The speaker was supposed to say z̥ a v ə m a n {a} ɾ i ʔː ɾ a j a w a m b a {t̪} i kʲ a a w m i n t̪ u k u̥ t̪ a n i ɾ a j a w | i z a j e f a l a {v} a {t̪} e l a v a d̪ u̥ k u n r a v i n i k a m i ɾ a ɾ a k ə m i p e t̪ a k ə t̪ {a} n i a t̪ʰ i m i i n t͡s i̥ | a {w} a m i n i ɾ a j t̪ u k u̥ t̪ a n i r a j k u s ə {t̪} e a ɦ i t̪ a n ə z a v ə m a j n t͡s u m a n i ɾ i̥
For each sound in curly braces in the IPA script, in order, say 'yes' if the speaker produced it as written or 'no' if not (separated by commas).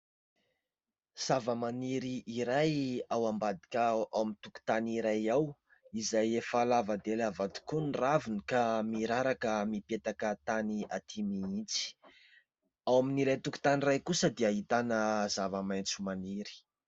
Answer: no, no, yes, no, yes, yes, no